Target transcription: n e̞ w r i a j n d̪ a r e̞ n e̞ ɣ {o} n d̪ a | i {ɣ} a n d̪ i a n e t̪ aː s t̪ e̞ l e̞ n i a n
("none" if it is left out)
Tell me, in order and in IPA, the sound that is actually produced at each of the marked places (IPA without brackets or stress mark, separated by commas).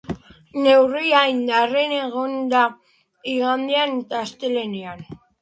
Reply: o, ɣ